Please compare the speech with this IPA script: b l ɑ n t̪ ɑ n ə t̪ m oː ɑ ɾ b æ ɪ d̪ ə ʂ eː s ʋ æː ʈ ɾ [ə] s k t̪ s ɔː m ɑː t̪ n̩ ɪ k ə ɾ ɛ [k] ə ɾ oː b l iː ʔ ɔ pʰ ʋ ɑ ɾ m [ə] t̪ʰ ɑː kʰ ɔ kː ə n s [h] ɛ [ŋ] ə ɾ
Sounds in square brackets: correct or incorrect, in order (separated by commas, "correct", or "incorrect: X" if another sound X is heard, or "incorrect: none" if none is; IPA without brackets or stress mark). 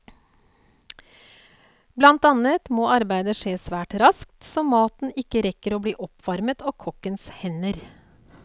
incorrect: ɑ, correct, correct, correct, incorrect: n